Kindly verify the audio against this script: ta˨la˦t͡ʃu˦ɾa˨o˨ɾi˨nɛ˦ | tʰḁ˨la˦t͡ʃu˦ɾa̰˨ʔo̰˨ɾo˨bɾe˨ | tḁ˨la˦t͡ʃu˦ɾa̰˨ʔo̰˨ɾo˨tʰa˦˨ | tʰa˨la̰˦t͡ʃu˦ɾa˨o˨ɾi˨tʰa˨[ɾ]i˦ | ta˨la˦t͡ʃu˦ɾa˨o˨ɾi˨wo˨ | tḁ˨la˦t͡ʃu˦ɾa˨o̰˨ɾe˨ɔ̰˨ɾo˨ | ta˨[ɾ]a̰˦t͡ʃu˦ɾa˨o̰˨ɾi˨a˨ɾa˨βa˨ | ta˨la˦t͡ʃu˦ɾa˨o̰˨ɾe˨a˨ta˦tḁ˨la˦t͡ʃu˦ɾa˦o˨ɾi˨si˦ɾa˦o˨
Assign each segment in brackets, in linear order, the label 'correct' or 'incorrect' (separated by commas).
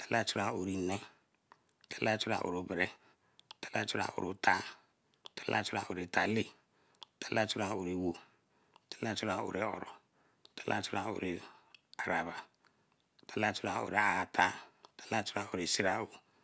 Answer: incorrect, incorrect